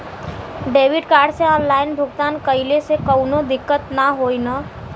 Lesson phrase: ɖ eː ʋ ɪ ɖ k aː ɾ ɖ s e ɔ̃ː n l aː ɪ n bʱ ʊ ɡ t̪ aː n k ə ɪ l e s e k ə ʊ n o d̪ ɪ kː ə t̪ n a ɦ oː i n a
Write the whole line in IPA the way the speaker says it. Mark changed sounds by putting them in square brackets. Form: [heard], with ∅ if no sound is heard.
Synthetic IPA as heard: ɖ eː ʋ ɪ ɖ k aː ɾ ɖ s e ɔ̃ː n l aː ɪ n bʱ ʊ ɡ t̪ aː n k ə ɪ l e s e k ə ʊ n o d̪ ɪ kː ə t̪ n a ɦ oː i n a